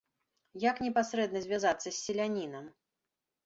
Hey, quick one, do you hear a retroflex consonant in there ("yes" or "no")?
no